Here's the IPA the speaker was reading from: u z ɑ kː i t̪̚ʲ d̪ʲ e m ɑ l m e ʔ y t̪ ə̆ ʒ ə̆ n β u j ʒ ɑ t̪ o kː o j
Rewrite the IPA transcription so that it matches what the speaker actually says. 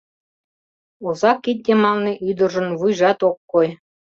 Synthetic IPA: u z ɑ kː i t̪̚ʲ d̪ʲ e m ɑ l n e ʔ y d̪ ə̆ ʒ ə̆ n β u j ʒ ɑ t̪ o kː o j